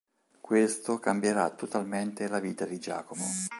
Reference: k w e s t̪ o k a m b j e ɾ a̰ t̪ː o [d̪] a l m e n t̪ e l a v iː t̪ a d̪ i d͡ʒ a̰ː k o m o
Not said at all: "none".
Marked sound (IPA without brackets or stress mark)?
t̪